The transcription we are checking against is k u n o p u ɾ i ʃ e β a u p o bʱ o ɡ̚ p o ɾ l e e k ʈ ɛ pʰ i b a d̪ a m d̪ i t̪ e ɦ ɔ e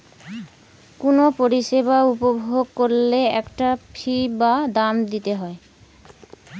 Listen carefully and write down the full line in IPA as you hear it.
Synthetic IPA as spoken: k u n o p o ɾ i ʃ e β a u p o bʱ o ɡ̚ k o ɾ l e ɛ k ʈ a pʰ i b a d̪ a m d̪ i t̪ e ɦ ɔ e